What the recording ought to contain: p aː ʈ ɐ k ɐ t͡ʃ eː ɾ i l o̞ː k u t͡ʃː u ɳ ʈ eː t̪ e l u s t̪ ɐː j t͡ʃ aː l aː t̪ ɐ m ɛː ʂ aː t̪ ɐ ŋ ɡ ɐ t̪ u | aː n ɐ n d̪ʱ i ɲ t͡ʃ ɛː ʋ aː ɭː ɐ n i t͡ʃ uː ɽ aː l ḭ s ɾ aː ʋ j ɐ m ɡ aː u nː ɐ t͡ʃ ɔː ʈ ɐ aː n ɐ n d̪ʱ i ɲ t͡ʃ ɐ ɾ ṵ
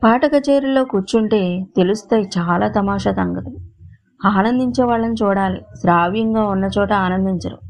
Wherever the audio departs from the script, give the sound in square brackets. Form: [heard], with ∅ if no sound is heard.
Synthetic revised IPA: p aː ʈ ɐ k ɐ t͡ʃ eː ɾ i l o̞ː k u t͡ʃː u ɳ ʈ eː t̪ e l u s t̪ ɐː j t͡ʃ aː l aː t̪ ɐ m [aː] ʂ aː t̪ ɐ ŋ ɡ ɐ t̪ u | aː n ɐ n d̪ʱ i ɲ t͡ʃ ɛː ʋ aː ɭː ɐ n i t͡ʃ uː ɽ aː l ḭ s ɾ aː ʋ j ɐ [ŋ] ɡ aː u nː ɐ t͡ʃ ɔː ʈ ɐ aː n ɐ n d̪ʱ i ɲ t͡ʃ ɐ ɾ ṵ